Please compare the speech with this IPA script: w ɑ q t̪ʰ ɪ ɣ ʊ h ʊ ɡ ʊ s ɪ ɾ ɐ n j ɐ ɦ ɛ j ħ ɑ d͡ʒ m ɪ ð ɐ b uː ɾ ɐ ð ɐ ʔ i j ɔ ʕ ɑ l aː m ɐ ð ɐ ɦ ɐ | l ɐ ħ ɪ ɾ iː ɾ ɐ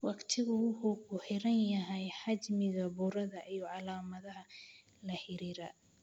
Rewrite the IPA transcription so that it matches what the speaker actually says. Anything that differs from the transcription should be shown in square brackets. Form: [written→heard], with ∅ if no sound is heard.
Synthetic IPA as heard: w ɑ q t̪ʰ ɪ ɣ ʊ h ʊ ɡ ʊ [s→ħ] ɪ ɾ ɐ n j ɐ ɦ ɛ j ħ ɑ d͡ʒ m ɪ [ð→ɣ] ɐ b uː ɾ ɐ ð ɐ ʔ i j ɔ ʕ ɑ l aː m ɐ ð ɐ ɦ ɐ | l ɐ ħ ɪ ɾ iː ɾ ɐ